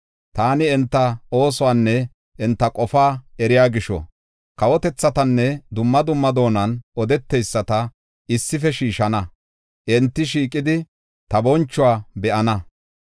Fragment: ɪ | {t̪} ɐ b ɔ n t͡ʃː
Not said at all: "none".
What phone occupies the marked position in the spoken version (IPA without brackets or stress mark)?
t̪